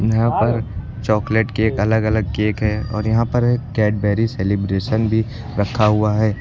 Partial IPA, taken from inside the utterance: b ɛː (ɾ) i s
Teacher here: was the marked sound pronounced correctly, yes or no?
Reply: yes